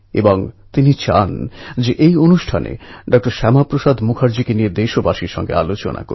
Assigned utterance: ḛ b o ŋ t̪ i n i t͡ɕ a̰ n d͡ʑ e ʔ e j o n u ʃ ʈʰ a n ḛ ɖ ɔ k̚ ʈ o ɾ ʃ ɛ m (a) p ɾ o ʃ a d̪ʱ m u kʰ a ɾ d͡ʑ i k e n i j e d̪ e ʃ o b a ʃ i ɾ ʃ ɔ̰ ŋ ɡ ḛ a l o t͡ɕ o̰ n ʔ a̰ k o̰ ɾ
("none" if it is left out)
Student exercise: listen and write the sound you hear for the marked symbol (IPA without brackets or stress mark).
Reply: a